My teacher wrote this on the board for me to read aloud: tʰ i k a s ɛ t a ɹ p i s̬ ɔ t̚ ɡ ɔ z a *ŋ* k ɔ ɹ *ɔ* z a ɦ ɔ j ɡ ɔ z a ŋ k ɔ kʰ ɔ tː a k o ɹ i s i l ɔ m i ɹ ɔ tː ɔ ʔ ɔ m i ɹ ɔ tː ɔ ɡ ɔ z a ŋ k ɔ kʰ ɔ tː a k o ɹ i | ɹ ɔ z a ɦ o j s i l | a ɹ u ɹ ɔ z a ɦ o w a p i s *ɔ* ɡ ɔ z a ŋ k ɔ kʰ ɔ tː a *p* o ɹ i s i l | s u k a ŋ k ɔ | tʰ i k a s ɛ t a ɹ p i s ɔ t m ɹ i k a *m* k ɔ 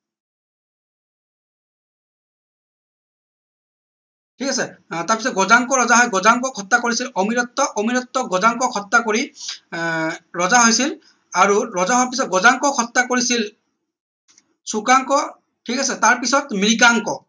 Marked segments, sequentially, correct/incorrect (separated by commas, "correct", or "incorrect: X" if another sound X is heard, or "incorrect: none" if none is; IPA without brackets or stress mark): correct, correct, correct, incorrect: k, incorrect: ŋ